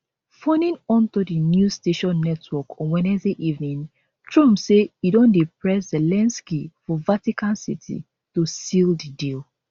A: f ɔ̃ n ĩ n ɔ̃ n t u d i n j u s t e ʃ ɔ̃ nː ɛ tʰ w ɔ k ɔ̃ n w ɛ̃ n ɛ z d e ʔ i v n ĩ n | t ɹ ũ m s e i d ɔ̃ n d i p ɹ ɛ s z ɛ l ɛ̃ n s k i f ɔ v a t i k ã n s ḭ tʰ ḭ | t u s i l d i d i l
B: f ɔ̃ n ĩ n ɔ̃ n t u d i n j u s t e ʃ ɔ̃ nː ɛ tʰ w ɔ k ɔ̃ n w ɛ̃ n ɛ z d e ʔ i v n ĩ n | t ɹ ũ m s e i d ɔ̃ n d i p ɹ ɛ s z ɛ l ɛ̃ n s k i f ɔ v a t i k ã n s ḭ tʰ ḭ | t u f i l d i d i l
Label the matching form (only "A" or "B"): A